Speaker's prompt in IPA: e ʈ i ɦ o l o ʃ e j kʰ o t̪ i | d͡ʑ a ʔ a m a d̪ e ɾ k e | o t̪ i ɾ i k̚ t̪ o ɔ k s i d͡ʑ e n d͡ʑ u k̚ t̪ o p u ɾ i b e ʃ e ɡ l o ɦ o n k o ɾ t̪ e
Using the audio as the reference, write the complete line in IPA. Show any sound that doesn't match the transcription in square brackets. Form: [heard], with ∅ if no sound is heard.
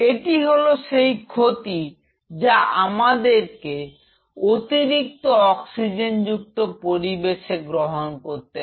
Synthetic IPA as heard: e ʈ i ɦ o l o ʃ e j kʰ o t̪ i | d͡ʑ a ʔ a m a d̪ e ɾ k e | o t̪ i ɾ i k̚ t̪ o ɔ k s i d͡ʑ e n d͡ʑ u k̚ t̪ o p [o] ɾ i b e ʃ e ɡ [ɾ] o ɦ o n k o ɾ t̪ e